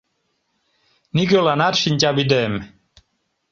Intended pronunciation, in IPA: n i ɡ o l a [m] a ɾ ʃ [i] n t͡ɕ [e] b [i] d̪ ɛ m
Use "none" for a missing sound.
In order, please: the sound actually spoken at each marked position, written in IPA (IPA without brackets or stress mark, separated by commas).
n, i, a, i